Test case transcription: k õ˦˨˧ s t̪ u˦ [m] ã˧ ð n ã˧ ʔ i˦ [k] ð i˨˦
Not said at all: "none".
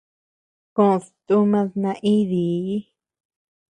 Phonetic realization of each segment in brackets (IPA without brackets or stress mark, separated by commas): m, none